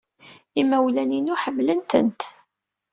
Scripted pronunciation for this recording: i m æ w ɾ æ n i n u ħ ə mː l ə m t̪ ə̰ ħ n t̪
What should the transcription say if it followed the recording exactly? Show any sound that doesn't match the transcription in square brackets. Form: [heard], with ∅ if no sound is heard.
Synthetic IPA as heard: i m æ w [l] æ n i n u ħ ə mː l ə [n] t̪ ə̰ [∅] n t̪